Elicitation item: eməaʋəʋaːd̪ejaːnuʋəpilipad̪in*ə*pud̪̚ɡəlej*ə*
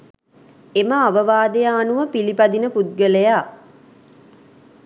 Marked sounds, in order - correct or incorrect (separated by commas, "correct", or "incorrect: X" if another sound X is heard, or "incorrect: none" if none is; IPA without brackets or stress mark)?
correct, incorrect: a